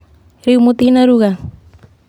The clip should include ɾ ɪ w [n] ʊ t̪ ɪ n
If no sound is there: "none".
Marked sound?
m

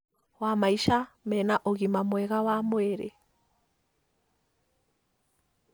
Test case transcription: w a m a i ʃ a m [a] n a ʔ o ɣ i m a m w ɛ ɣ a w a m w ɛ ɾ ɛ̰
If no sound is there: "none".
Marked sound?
ɛ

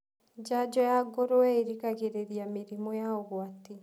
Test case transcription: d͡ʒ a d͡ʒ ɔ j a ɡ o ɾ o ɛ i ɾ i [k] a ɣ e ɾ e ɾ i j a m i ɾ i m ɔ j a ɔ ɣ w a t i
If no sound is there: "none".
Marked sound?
k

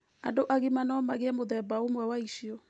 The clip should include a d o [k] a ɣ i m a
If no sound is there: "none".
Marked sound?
ʔ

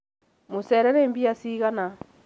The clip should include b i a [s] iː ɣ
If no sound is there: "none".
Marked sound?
s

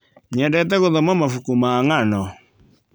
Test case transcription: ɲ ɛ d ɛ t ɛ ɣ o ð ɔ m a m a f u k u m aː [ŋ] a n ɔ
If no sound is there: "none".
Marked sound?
ŋ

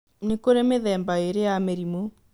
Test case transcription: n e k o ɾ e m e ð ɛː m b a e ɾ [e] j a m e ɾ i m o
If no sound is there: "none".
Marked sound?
e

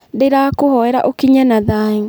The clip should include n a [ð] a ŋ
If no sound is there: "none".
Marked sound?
ð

